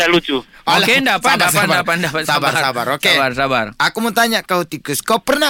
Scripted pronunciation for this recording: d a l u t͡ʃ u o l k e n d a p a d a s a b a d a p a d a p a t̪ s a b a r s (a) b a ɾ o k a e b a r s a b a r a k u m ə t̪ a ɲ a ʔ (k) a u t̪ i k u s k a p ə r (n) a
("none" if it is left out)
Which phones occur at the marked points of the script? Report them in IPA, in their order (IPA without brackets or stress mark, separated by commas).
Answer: a, k, n